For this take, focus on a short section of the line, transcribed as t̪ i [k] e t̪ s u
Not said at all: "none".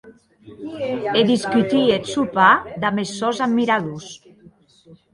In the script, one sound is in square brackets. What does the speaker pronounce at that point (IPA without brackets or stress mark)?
none